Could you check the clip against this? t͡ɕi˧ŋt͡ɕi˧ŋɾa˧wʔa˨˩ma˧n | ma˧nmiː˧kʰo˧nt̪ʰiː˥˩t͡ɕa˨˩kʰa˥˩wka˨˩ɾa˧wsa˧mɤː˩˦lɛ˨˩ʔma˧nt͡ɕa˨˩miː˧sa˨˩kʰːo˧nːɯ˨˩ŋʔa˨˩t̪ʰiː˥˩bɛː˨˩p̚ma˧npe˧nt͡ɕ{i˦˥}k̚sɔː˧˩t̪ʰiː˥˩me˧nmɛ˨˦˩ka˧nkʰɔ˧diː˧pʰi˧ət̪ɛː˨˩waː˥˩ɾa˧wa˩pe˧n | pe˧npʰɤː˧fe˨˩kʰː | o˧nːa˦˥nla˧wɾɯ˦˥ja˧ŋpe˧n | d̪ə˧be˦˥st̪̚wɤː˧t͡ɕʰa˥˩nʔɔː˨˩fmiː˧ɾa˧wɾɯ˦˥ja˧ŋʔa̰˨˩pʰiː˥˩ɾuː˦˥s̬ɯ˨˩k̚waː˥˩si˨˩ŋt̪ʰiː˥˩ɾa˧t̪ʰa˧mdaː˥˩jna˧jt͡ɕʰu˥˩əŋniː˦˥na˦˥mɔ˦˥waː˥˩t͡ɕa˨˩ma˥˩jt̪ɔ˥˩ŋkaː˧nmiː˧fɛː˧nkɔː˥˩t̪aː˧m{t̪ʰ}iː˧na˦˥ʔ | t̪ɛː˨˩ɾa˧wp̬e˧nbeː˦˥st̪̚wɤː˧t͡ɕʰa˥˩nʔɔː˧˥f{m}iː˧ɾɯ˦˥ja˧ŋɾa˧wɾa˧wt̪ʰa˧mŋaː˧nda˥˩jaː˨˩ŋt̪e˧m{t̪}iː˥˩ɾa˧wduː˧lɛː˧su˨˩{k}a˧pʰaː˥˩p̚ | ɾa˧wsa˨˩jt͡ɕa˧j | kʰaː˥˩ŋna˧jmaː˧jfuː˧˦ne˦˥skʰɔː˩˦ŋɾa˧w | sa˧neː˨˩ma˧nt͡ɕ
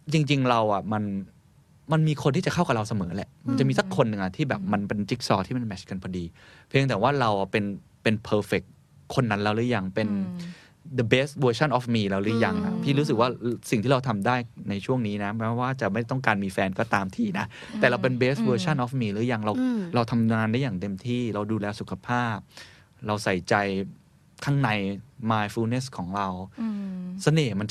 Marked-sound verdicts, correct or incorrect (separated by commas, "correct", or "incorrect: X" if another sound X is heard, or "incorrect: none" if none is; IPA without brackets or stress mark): correct, correct, correct, incorrect: t̪ʰ, incorrect: kʰ